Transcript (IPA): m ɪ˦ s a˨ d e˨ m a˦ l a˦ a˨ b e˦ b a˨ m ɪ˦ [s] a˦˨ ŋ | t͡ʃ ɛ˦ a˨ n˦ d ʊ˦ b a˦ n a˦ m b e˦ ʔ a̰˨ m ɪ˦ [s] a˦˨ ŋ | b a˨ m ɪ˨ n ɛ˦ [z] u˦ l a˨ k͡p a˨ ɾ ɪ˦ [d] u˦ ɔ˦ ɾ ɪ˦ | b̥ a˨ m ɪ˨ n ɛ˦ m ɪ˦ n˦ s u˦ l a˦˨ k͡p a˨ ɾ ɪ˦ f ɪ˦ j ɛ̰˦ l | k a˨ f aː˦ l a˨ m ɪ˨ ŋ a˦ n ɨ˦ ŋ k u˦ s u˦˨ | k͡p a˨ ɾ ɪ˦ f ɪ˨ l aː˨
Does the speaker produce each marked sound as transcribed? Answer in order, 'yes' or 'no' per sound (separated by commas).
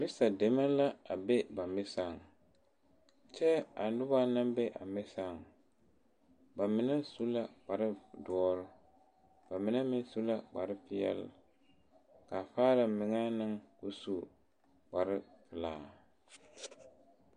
yes, yes, no, yes